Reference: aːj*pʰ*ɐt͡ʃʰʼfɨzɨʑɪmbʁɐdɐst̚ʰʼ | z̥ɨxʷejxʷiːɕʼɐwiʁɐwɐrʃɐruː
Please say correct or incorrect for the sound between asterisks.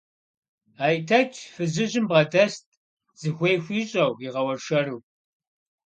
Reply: incorrect